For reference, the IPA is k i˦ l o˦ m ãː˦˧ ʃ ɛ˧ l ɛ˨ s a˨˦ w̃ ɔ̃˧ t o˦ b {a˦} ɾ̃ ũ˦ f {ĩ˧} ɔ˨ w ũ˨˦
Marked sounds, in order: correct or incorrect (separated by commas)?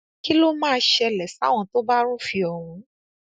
correct, incorrect